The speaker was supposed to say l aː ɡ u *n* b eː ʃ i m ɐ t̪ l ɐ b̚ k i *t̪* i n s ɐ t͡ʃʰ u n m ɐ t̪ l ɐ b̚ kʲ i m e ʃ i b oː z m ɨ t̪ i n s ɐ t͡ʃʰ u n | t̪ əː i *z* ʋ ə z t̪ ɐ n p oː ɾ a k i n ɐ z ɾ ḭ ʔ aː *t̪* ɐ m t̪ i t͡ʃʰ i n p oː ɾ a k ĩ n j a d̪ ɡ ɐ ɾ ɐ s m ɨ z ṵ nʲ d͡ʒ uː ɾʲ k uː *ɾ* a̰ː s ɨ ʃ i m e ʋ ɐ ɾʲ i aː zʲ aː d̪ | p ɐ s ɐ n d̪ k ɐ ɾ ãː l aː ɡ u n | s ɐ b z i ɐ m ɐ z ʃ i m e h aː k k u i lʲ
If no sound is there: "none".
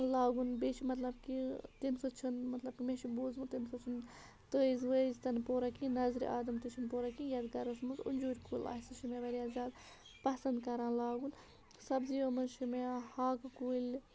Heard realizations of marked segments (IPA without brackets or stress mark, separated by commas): n, t̪, z, d̪, l